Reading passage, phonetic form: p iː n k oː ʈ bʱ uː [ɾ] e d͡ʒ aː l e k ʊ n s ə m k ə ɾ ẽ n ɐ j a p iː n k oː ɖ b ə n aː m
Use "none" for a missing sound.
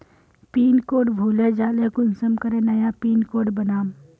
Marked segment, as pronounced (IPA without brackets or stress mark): l